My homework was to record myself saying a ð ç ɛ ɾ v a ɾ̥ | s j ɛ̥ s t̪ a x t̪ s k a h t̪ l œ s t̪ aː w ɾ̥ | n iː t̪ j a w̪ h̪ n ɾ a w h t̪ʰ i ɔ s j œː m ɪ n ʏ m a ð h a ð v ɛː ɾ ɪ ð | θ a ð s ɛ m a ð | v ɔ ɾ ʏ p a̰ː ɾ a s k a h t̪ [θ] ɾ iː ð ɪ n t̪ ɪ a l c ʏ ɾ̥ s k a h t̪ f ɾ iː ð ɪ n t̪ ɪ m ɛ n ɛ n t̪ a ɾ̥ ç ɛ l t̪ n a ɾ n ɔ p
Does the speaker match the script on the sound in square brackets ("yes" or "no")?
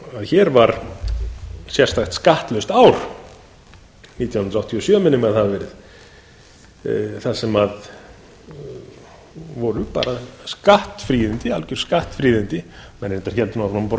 no